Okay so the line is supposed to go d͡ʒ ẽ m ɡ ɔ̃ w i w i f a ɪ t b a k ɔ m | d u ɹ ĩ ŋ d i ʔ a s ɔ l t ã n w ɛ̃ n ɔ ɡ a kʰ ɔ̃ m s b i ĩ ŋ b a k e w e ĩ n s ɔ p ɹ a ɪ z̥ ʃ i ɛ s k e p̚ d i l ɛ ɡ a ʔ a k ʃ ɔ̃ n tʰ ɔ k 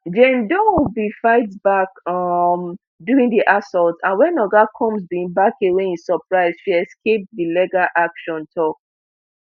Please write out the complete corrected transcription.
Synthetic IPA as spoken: d͡ʒ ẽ m d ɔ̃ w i b i f a ɪ t b a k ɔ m | d u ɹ ĩ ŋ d i ʔ a s ɔ l t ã n w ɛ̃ n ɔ ɡ a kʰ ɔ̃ m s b i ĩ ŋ b a k e w e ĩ n s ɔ p ɹ a ɪ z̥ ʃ i ɛ s k e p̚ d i l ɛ ɡ a ʔ a k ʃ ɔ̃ n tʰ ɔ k